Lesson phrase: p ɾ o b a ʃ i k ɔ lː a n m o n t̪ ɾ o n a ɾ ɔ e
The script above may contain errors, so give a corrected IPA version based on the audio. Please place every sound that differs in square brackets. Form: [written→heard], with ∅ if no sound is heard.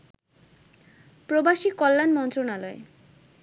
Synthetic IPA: p ɾ o b a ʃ i k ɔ lː a n m [o→ɔ] n t̪ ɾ o n a [ɾ→l] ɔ e